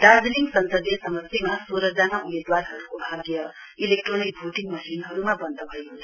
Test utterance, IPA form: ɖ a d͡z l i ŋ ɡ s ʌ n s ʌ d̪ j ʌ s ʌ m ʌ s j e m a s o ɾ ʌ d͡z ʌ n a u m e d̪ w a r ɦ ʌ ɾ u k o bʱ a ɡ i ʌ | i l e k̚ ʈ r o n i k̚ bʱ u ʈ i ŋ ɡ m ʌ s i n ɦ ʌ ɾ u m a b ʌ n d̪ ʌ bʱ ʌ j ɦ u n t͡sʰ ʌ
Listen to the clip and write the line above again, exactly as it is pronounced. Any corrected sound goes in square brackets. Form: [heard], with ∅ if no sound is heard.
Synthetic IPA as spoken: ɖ a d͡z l i ŋ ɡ s ʌ n s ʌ d̪ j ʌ s ʌ m ʌ s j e m a s o ɾ ʌ d͡z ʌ n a u m e d̪ w a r ɦ ʌ ɾ u k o bʱ a ɡ [j] ʌ | i l e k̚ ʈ r o n i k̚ bʱ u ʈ i ŋ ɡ m ʌ s i n ɦ ʌ ɾ u m a b ʌ n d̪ ʌ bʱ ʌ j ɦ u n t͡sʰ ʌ